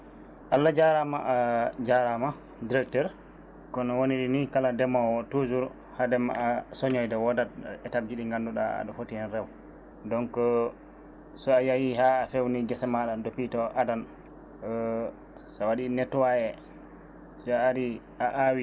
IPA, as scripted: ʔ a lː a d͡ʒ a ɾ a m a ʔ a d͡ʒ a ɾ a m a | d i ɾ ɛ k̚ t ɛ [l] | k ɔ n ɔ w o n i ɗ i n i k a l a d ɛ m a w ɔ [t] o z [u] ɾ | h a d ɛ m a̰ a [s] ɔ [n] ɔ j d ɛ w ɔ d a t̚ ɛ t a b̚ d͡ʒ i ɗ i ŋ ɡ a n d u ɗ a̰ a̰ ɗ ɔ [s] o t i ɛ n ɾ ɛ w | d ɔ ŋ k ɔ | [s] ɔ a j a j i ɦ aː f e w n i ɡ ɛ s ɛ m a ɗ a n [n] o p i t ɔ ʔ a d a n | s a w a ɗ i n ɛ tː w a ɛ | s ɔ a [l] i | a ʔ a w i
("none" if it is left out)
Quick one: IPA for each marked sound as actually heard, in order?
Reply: ɾ, t, u, s, ɲ, f, s, d, ɾ

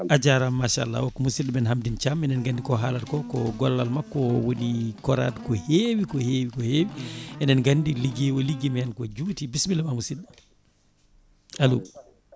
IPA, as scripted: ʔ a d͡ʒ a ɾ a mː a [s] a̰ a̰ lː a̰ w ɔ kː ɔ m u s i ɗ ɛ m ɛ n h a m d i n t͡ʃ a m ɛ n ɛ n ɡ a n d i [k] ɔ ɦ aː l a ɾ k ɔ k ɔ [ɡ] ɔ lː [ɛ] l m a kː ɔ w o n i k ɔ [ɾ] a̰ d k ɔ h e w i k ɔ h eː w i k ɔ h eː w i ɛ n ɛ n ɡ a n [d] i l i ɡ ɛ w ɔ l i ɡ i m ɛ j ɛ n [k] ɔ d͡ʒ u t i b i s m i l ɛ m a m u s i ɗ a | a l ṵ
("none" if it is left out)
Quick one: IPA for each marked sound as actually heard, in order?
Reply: ʃ, k, ɡ, a, ɾ, d, k

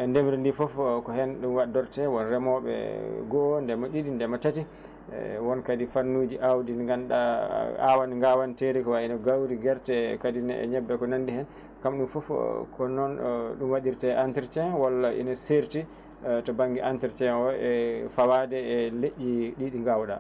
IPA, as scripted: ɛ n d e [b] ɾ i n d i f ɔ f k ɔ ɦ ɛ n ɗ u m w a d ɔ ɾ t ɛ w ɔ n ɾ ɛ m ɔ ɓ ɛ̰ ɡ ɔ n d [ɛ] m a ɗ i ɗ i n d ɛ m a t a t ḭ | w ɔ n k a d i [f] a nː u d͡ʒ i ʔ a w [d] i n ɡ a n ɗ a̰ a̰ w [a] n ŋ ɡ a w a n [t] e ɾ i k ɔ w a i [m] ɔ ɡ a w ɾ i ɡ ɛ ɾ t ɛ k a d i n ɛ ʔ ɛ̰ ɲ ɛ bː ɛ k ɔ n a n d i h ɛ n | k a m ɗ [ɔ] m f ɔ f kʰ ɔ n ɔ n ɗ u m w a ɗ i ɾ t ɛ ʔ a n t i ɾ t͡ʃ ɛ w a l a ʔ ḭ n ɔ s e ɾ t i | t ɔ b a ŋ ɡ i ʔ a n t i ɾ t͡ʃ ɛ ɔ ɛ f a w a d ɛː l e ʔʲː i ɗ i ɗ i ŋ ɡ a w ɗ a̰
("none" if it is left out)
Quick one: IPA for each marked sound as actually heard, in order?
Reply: m, ɛ, f, d, a, t, n, u

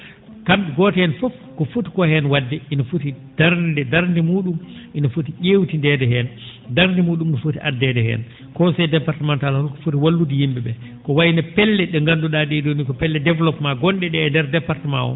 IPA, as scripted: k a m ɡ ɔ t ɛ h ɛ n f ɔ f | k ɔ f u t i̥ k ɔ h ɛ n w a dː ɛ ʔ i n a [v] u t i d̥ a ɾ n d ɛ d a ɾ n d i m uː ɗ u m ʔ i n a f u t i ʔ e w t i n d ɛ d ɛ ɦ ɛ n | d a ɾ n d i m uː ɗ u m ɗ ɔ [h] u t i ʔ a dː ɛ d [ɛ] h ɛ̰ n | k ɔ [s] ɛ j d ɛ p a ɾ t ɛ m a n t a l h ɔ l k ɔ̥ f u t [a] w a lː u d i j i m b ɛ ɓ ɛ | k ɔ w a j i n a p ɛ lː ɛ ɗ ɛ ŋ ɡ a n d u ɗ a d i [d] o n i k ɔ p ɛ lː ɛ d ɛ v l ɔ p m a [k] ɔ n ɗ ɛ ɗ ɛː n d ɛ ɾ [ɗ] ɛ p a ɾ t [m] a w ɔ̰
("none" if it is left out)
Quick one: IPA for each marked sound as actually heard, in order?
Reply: f, f, ɛ, s, i, d, ɡ, d, m

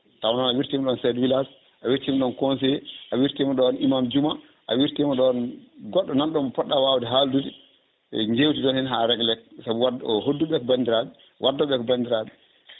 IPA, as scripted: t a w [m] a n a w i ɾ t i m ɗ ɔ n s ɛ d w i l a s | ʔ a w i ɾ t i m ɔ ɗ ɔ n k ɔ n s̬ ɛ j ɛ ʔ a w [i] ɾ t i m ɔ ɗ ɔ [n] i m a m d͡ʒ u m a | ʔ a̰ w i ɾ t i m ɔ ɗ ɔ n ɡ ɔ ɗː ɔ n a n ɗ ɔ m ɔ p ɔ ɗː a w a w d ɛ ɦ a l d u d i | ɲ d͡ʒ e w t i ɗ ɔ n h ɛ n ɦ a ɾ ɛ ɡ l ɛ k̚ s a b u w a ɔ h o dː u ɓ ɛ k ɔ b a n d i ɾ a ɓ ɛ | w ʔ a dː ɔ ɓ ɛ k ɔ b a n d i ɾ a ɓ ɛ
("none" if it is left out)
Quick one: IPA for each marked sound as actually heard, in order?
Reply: n, i, n

